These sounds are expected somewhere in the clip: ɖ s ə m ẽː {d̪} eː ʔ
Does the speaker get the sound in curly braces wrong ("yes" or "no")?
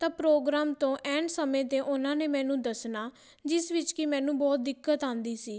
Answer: yes